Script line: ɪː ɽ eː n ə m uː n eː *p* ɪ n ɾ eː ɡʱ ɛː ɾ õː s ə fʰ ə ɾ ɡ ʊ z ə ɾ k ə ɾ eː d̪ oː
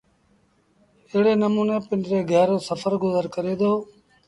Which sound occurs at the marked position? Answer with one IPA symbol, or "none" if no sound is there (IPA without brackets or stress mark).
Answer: p